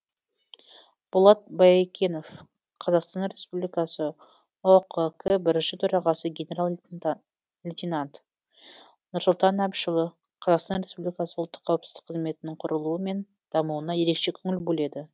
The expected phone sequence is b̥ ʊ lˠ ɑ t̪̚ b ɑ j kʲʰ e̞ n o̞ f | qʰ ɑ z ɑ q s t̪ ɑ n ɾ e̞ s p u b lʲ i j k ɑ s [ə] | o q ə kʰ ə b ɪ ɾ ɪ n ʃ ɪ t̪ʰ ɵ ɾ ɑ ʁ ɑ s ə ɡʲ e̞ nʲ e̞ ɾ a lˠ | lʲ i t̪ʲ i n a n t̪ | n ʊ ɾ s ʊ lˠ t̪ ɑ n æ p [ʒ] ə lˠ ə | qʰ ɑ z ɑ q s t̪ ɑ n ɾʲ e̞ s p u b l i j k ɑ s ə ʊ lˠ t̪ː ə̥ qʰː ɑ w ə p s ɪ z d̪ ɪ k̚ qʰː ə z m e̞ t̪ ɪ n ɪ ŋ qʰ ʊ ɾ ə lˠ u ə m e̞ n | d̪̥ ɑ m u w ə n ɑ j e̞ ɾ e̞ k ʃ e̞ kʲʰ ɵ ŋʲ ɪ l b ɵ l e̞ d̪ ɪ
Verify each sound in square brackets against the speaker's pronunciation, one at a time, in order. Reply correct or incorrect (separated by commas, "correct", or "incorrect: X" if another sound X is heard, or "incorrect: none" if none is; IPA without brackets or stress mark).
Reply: correct, incorrect: ʃ